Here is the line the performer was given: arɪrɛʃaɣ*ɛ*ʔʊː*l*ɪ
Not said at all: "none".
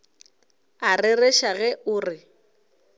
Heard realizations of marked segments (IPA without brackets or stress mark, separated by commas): ɛ, r